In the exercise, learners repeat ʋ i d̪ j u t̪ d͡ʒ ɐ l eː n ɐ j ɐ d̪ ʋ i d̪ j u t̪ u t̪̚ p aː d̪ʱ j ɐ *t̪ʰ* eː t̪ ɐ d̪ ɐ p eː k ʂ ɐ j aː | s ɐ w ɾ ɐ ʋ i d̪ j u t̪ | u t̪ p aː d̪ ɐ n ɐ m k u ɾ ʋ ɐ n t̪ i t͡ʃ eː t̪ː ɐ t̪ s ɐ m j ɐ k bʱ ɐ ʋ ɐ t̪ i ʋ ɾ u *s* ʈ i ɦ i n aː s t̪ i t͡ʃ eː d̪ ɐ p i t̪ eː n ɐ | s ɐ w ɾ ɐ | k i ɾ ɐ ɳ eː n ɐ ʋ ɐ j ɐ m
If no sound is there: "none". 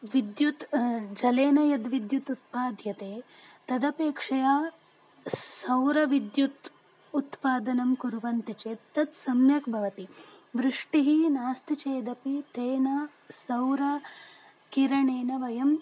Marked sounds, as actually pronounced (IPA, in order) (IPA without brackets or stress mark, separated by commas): t̪, ʂ